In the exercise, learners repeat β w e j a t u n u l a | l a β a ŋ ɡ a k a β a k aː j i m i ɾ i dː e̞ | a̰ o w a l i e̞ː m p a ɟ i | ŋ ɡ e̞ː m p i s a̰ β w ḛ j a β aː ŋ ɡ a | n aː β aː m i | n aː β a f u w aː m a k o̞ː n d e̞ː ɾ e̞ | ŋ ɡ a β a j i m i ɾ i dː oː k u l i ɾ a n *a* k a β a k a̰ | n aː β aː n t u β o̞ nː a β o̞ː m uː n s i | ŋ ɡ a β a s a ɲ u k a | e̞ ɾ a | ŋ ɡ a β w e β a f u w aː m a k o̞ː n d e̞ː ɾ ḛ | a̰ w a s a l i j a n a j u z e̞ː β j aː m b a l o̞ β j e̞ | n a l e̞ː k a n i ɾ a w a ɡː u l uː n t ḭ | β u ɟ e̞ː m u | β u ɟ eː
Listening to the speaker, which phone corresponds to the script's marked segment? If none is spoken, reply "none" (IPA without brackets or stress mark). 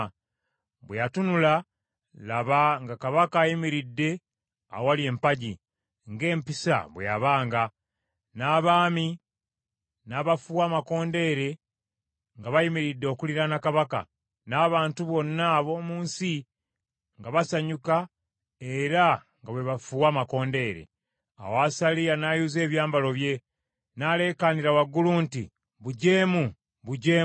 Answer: a